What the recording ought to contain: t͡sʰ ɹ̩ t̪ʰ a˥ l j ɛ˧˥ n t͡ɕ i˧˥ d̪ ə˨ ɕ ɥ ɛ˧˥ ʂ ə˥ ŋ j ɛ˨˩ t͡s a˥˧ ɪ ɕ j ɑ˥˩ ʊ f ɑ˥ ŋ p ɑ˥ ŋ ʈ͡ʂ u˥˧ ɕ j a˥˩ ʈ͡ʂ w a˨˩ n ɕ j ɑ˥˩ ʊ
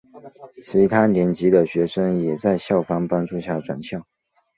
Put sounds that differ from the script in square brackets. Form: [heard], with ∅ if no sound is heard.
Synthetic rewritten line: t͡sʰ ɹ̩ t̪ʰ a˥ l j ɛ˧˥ n t͡ɕ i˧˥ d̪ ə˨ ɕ ɥ ɛ˧˥ ʂ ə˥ ŋ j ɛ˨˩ t͡s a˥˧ ɪ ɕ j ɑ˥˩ ʊ f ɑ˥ ŋ p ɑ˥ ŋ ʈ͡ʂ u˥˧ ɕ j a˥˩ ʈ͡ʂ w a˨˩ n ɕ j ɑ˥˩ ʊ